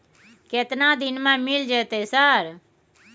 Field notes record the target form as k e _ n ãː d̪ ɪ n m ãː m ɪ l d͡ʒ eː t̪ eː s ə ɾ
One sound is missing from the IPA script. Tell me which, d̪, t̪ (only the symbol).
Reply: t̪